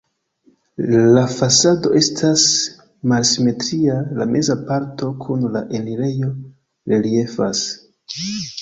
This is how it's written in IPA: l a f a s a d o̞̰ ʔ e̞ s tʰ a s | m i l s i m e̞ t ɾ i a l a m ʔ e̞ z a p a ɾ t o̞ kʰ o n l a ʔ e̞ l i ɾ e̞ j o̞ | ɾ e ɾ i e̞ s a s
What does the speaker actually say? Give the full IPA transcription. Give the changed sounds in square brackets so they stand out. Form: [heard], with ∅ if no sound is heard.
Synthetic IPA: l a f a s a d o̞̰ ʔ e̞ s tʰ a s | m [a] l s i m e̞ t ɾ i a l a m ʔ e̞ z a p a ɾ t o̞ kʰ [u] n l a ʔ e̞ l i ɾ e̞ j o̞ | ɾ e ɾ i e̞ [f] a s